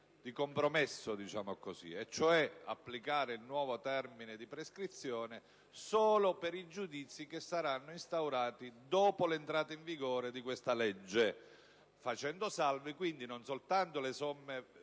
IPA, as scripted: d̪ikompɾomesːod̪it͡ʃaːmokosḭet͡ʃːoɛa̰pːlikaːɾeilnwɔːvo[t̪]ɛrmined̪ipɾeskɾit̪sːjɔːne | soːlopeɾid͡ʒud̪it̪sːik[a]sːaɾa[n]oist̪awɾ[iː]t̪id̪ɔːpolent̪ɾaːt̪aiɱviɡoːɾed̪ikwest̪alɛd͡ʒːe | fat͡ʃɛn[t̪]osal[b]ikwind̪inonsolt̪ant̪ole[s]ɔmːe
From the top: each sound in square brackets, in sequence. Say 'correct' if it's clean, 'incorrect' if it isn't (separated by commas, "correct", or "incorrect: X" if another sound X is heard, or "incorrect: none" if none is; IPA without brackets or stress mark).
correct, incorrect: e, incorrect: nː, incorrect: aː, incorrect: d̪, incorrect: v, correct